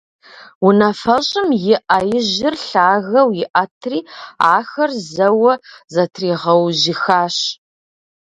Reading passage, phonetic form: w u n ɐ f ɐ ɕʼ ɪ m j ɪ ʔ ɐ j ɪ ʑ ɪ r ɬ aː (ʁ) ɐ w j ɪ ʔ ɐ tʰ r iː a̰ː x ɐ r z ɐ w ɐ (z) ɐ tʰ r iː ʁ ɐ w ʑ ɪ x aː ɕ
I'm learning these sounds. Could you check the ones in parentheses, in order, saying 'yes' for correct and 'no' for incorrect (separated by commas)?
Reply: no, yes